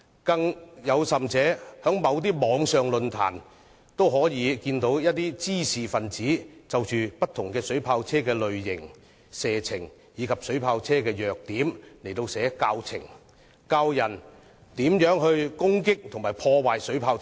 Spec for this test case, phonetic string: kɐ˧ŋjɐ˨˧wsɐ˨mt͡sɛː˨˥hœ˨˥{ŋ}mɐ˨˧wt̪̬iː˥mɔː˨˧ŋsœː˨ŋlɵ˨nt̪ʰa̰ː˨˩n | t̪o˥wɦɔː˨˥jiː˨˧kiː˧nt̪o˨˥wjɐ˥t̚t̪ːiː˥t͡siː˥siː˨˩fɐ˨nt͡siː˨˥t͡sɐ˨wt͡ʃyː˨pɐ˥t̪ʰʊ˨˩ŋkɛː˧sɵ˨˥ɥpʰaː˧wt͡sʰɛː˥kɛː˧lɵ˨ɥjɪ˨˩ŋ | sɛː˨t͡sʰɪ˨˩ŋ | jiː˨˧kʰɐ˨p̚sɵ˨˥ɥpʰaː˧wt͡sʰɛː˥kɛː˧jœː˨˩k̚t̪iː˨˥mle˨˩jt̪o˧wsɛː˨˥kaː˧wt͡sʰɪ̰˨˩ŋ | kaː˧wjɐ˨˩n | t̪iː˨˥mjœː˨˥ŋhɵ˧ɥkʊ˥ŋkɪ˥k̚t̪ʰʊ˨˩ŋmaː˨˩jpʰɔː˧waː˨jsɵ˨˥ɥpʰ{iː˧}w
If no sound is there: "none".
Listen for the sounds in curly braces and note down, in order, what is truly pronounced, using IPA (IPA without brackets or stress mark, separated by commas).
ŋ, aː˧